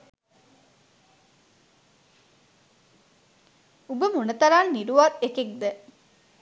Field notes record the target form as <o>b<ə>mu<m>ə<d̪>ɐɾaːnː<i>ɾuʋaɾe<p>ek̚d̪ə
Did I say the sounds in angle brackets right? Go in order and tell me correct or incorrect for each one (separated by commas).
incorrect, correct, incorrect, incorrect, correct, incorrect